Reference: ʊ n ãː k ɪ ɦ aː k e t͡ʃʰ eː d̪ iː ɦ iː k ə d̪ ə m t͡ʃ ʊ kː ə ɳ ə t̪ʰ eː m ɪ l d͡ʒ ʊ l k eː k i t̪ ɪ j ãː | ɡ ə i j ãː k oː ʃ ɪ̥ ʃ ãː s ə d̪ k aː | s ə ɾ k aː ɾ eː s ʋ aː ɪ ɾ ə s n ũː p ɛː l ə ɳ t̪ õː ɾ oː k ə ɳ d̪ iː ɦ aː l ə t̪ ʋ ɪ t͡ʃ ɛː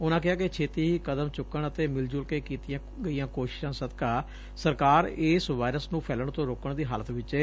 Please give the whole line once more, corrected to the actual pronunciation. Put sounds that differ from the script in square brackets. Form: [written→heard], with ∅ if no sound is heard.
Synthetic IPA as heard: ʊ n ãː k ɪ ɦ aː k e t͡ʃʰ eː [d̪→t̪] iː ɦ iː k ə d̪ ə m t͡ʃ ʊ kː ə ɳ ə [t̪ʰ→t̪] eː m ɪ l d͡ʒ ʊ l k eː k [i→iː] t̪ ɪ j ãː | ɡ ə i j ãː k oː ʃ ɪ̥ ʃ ãː s ə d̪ k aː | s ə ɾ k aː ɾ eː s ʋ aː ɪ ɾ ə s n ũː [p→pʰ] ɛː l ə ɳ t̪ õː ɾ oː k ə ɳ d̪ iː ɦ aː l ə t̪ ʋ ɪ t͡ʃ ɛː